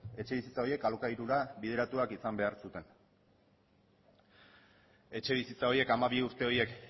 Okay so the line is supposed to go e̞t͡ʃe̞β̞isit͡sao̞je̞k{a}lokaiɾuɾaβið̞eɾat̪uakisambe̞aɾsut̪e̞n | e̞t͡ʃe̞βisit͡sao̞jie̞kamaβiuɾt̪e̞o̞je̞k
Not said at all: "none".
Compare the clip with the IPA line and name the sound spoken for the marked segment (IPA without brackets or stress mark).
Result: a